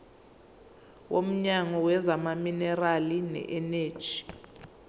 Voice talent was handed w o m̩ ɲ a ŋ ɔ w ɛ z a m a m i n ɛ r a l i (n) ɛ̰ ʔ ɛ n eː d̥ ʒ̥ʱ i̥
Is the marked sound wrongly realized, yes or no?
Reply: no